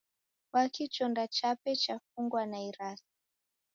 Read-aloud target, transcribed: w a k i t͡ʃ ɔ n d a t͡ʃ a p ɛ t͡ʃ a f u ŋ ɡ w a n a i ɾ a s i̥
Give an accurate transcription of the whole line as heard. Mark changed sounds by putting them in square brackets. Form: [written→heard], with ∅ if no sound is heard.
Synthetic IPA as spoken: w a k i t͡ʃ ɔ n d a t͡ʃ a p ɛ t͡ʃ a f u ŋ ɡ w a n a i ɾ a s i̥